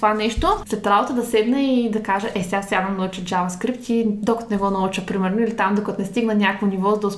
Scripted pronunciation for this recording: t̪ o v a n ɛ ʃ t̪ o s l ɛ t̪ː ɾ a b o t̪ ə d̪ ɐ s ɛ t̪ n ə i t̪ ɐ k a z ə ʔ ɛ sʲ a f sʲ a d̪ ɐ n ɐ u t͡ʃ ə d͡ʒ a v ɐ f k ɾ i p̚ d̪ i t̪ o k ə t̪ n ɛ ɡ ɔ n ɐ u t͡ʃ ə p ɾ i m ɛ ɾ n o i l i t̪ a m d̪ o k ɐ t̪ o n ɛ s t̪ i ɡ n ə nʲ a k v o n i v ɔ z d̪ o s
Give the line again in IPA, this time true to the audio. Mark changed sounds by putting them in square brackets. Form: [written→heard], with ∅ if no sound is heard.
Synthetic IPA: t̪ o v a n ɛ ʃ t̪ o s l ɛ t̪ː ɾ a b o t̪ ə d̪ ɐ s ɛ [t̪→d̪] n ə i [t̪→d̪] ɐ k a [z→ʒ] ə ʔ ɛ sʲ a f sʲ a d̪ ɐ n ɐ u t͡ʃ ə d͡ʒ a v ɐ [f→s] k ɾ i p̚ [d̪→t̪] i [t̪→d̪] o k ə t̪ n ɛ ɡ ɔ n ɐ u t͡ʃ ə p ɾ i m ɛ ɾ n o i l i t̪ a m d̪ o k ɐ t̪ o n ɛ s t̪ i ɡ n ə nʲ a k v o n i v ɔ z d̪ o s